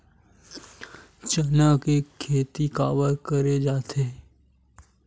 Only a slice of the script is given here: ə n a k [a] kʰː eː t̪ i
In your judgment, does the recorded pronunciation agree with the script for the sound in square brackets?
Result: no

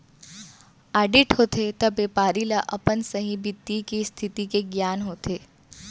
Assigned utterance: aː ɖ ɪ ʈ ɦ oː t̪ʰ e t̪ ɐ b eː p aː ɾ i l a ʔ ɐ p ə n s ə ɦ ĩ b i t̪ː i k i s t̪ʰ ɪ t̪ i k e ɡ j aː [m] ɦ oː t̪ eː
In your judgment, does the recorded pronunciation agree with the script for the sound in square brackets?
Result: no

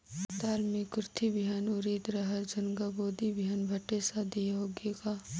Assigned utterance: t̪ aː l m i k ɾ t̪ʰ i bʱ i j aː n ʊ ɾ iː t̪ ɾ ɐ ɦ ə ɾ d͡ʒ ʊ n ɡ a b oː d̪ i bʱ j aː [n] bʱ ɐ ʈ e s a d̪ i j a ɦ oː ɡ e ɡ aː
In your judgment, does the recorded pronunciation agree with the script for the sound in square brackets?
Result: yes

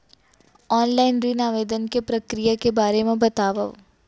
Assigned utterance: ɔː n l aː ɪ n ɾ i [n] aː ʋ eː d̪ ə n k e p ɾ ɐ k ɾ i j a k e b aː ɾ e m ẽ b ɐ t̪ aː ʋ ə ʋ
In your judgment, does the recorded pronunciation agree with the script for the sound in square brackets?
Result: yes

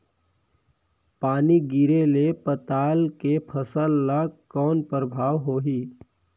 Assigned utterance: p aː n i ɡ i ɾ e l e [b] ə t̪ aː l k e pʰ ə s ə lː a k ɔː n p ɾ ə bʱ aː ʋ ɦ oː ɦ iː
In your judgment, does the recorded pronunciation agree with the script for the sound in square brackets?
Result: no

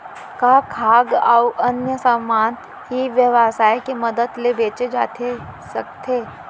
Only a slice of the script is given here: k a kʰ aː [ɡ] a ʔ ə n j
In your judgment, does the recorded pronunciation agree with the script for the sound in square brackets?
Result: yes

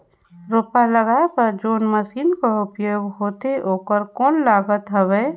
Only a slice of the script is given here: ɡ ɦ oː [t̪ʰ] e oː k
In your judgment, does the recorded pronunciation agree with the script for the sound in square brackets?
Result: no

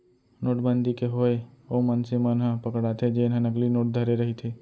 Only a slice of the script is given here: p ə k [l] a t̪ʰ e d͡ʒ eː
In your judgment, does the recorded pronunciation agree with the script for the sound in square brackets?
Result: no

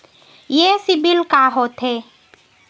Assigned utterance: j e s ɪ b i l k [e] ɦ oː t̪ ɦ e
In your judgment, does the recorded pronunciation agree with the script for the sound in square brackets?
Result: no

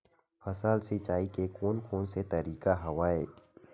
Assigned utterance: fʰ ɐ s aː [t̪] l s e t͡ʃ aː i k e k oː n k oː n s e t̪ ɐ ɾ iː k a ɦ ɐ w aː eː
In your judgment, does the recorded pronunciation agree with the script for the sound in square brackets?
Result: no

